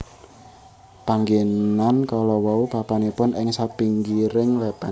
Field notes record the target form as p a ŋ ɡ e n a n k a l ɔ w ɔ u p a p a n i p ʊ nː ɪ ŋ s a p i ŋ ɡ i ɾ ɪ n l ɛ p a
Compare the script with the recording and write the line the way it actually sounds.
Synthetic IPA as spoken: p a ŋ ɡ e n a n k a l ɔ w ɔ u p a p a n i p ʊ n ɪ ŋ s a p i ŋ ɡ i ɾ ɪ ŋ l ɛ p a